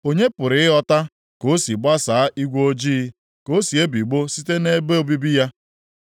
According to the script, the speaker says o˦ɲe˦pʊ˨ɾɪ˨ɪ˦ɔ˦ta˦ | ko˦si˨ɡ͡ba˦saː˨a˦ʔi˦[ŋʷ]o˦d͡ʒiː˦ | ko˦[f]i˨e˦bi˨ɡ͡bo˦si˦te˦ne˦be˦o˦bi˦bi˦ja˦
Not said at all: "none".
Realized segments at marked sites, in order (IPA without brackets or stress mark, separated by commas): ɡʷ, s